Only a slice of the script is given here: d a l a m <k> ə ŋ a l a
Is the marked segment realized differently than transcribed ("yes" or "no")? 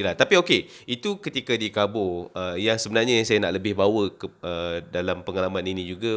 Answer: yes